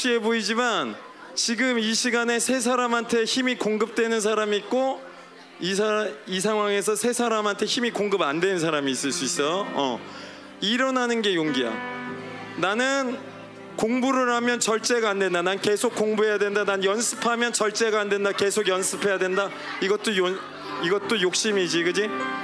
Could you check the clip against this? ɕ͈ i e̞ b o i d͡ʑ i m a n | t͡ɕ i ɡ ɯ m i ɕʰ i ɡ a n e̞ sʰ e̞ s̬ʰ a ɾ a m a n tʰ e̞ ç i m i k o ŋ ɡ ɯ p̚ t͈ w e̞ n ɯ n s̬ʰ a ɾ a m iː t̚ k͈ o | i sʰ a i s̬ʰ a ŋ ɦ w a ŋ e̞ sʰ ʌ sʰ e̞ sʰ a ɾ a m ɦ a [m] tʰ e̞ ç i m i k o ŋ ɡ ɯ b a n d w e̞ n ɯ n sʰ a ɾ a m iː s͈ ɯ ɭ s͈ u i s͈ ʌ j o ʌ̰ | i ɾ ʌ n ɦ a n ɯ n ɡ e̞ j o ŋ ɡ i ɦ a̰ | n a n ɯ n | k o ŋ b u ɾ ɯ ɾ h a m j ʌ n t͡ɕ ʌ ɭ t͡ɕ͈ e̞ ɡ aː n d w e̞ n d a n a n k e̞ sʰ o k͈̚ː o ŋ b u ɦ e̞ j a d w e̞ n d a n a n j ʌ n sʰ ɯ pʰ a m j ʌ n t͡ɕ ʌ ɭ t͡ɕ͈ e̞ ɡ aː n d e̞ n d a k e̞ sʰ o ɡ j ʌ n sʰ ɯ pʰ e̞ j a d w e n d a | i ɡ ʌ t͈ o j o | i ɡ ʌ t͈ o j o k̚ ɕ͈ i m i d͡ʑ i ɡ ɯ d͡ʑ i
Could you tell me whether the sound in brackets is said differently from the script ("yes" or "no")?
yes